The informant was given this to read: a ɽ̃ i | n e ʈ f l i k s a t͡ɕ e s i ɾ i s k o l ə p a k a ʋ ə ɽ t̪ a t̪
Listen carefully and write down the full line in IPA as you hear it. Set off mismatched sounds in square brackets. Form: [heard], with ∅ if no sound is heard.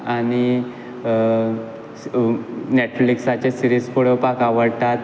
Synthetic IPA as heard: a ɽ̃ i | n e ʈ f l i k s a t͡ɕ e s i ɾ i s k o [ɽ] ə p a k a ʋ ə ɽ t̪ a t̪